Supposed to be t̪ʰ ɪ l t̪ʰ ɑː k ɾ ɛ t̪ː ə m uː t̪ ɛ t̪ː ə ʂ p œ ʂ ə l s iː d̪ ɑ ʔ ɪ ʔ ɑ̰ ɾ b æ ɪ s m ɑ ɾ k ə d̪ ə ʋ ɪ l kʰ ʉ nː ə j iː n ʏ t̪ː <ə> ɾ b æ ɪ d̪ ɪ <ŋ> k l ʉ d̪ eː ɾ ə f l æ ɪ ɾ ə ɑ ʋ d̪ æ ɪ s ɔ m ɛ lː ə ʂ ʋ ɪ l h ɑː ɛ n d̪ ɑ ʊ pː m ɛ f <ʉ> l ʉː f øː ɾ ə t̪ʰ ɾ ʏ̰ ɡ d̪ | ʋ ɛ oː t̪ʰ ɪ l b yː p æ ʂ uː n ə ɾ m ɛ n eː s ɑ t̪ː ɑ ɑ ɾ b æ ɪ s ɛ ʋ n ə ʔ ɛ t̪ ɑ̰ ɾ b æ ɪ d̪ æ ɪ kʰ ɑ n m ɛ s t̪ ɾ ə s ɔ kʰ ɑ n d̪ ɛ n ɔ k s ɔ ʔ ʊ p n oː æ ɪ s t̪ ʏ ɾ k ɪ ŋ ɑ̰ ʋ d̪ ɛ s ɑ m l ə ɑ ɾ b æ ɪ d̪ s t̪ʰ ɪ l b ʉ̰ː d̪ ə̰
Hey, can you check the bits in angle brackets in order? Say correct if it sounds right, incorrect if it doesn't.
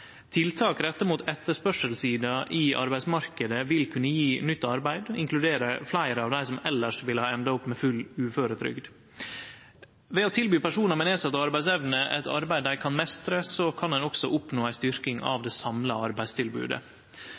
incorrect: ɑ, correct, correct

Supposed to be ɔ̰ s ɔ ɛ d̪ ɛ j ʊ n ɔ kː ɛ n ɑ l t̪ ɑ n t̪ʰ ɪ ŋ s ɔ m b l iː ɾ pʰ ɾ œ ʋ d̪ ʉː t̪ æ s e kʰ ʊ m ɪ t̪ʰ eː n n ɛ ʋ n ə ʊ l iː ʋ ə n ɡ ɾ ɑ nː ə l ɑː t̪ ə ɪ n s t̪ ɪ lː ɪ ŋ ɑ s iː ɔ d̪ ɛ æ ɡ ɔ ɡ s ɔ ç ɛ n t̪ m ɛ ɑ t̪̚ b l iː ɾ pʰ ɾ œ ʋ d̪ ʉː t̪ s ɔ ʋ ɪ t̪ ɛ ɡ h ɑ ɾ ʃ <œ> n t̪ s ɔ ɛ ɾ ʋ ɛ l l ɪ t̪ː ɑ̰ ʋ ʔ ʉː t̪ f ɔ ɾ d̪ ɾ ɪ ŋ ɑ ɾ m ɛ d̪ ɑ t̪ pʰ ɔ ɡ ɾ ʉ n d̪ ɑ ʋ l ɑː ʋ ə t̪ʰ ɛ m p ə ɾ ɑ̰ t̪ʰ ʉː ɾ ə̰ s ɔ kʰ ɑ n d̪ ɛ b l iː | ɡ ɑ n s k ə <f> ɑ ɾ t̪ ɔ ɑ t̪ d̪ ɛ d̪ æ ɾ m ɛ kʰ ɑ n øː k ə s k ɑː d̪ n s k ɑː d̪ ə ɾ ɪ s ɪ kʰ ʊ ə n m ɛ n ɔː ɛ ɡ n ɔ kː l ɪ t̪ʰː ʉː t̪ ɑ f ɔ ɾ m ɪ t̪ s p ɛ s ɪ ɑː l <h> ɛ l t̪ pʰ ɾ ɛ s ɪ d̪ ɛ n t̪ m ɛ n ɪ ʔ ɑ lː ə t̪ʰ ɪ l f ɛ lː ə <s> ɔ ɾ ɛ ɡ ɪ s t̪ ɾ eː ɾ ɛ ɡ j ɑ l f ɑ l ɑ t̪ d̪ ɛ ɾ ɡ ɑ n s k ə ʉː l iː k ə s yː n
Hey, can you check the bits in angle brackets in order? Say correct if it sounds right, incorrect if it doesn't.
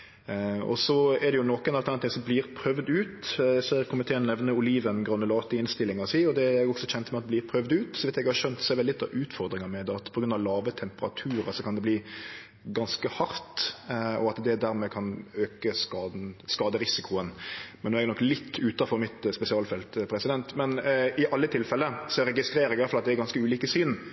correct, incorrect: h, incorrect: f, correct

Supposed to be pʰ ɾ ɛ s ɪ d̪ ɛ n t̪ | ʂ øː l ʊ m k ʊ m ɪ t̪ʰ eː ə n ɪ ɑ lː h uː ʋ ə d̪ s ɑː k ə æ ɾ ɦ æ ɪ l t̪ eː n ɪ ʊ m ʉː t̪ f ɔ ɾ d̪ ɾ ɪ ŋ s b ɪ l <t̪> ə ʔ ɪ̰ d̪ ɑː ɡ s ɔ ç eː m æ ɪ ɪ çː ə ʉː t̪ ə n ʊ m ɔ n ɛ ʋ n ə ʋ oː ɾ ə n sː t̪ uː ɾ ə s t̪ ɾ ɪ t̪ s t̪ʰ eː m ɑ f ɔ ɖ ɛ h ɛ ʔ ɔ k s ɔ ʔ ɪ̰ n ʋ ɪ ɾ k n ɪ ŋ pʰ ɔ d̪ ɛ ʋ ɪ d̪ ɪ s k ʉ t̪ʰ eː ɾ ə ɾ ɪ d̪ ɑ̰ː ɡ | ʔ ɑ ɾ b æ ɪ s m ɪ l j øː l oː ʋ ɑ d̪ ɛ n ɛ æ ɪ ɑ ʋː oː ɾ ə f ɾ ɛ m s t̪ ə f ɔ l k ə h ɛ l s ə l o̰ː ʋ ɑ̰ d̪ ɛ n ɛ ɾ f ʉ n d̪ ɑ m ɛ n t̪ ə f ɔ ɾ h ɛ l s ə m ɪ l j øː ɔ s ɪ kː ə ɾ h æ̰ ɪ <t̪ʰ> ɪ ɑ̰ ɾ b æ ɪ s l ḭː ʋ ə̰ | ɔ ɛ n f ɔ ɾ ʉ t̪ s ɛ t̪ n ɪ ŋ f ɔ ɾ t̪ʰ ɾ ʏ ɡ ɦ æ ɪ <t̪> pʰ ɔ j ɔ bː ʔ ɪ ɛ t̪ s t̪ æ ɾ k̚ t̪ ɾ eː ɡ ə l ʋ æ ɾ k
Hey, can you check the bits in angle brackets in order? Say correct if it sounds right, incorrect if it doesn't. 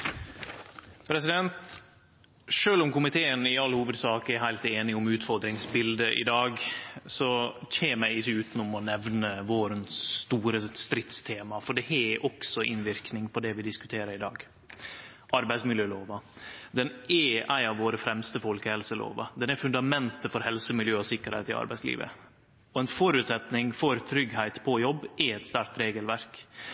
incorrect: d̪, incorrect: t̪, correct

